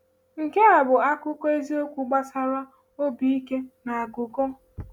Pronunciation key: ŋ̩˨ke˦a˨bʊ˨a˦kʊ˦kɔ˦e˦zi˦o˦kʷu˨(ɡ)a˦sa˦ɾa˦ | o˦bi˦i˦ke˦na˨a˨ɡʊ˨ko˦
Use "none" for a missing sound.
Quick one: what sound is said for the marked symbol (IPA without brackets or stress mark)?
ɡ͡b